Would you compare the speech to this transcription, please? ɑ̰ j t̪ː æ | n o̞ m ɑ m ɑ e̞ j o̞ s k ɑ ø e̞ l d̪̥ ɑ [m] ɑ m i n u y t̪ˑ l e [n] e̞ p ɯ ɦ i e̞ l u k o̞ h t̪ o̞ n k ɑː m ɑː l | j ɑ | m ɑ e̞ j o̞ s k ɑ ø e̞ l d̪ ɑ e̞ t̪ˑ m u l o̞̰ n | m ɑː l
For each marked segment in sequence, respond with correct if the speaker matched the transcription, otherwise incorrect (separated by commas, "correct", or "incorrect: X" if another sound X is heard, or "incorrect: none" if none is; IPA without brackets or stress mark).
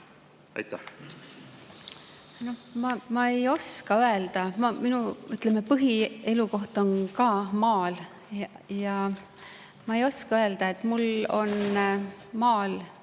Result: correct, incorrect: m